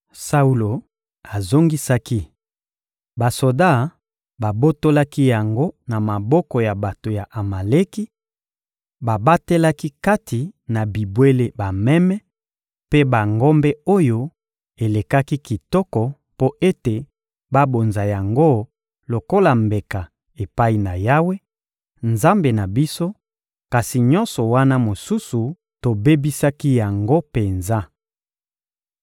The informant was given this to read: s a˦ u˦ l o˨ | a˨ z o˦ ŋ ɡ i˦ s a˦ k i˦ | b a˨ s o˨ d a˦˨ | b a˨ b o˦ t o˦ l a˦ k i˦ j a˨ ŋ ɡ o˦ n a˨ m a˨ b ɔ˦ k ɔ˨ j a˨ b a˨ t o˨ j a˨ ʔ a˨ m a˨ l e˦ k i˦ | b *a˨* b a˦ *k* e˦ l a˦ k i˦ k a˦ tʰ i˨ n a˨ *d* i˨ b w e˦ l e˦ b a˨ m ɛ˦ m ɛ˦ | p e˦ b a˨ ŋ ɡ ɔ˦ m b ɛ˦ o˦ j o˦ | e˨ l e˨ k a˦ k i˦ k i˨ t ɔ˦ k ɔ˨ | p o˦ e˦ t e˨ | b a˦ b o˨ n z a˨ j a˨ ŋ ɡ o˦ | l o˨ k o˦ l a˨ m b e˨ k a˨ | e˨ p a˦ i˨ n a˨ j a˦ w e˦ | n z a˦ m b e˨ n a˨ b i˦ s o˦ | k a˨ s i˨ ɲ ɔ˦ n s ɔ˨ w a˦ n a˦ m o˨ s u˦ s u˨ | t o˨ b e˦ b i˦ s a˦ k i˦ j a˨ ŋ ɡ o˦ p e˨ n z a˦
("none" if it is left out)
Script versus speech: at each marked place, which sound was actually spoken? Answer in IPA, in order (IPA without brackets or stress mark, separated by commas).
a˨, t, b